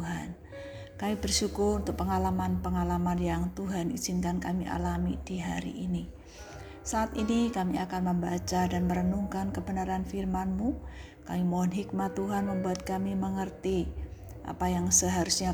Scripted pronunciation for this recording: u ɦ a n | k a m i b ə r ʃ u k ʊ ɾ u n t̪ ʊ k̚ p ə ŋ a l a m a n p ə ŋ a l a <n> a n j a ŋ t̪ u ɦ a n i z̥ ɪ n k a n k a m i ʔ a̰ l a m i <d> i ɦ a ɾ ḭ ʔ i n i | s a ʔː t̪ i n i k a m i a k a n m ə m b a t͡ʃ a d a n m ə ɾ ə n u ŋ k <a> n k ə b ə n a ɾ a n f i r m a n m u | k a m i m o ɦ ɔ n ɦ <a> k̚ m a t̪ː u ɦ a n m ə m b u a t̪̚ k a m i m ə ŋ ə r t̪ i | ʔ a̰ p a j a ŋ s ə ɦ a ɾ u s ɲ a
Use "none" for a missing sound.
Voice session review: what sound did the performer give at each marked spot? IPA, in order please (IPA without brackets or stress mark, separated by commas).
m, d, a, i